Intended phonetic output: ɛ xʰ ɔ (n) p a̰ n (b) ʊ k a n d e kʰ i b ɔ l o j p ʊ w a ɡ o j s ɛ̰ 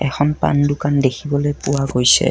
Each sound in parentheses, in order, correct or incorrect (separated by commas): correct, incorrect